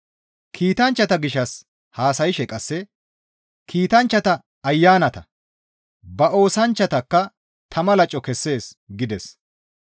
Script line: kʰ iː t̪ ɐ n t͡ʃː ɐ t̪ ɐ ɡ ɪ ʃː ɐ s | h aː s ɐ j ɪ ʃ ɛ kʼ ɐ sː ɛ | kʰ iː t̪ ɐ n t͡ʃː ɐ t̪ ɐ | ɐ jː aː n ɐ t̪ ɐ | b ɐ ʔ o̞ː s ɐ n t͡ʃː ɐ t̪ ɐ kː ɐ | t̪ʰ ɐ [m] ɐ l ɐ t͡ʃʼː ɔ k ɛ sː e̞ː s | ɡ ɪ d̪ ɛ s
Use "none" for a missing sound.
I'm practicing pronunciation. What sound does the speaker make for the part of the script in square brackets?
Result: m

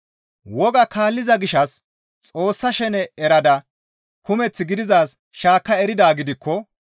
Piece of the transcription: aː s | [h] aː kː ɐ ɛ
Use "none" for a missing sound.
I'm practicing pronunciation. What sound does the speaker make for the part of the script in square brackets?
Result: ʃ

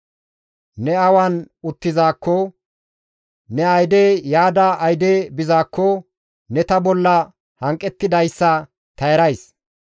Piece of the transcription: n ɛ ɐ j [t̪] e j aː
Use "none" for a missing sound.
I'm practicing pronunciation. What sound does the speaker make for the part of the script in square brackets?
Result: d̪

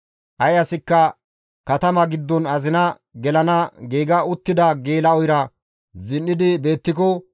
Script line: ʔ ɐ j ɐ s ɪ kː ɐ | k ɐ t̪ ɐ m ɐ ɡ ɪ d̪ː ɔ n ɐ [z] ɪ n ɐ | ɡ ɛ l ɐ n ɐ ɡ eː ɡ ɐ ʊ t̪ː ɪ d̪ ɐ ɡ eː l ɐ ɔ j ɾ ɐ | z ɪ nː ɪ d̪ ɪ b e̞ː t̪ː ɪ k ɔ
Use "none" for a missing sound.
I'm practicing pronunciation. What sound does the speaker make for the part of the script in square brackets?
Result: z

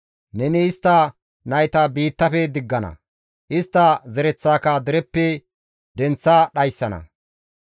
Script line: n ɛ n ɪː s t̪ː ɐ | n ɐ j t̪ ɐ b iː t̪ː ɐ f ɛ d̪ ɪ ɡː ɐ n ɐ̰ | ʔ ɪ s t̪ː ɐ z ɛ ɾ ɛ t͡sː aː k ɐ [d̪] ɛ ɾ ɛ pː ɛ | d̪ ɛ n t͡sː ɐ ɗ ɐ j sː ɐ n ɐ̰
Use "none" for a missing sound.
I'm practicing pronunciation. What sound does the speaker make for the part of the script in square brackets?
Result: d̪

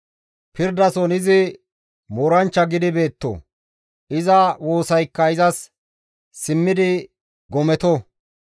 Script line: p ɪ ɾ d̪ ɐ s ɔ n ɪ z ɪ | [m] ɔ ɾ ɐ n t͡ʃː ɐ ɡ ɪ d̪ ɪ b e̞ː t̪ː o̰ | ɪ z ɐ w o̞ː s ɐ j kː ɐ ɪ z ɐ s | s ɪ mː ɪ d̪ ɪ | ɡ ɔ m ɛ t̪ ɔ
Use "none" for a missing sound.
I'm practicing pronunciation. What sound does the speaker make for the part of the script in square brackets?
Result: m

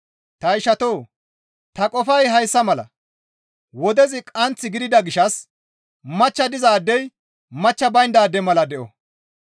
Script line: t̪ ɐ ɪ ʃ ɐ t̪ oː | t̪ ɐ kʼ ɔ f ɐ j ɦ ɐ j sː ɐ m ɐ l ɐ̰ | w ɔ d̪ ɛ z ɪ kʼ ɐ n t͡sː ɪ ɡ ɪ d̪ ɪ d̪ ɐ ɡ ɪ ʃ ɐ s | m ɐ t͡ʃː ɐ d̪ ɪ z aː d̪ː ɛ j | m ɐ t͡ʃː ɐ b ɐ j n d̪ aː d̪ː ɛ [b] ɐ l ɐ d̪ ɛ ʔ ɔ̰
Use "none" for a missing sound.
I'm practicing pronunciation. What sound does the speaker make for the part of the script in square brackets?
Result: m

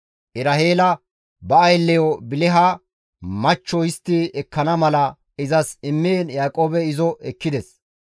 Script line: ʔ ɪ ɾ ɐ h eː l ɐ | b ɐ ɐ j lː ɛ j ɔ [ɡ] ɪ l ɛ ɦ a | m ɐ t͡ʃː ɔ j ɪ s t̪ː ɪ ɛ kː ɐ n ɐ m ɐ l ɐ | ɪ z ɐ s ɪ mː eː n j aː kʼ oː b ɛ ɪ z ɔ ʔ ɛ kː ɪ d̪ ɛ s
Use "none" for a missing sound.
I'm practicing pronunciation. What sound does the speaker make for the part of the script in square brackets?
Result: b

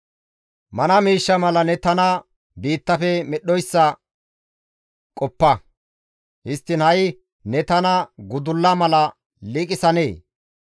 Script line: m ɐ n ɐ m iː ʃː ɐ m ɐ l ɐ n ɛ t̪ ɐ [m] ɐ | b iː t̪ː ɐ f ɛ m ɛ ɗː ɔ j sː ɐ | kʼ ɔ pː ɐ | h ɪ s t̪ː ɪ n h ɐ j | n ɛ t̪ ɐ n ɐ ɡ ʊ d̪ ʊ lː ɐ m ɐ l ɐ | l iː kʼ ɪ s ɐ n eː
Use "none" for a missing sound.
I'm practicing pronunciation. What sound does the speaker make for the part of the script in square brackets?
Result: n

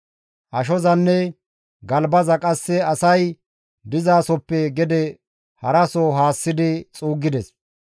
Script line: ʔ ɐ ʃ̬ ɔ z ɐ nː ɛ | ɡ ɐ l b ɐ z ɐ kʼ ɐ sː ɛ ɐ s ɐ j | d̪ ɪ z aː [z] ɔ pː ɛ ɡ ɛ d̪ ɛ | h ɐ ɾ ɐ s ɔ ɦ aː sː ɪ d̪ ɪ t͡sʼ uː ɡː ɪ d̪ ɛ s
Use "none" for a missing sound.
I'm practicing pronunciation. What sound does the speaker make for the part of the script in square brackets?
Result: s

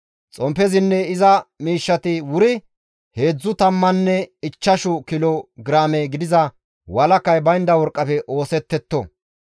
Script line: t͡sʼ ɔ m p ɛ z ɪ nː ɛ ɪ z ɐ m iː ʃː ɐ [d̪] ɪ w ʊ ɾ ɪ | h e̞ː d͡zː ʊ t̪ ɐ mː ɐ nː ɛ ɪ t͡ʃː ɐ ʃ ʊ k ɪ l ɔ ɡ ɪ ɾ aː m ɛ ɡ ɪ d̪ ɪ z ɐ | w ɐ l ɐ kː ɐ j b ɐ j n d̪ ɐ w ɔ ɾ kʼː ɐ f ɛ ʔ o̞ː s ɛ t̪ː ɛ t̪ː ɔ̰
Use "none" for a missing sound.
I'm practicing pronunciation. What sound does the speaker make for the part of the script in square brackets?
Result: t̪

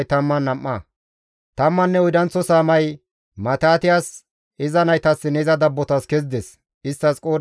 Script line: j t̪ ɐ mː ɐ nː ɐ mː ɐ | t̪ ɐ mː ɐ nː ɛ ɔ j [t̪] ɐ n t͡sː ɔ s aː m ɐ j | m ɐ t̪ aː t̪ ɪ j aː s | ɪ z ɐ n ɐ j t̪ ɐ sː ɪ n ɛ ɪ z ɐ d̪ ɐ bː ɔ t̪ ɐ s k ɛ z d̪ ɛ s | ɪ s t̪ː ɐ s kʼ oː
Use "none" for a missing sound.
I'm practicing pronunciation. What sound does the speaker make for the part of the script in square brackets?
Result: d̪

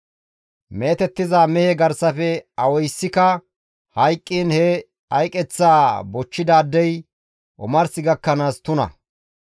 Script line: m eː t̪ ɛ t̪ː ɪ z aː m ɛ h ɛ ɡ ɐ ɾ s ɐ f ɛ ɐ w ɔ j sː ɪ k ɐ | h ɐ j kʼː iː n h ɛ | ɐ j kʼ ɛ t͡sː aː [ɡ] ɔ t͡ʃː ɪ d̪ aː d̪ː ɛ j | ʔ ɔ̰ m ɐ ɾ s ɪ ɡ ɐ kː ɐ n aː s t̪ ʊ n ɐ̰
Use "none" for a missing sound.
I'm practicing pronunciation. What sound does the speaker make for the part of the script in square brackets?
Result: b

